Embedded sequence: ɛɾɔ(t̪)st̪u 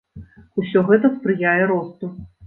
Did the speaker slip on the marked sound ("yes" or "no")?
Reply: yes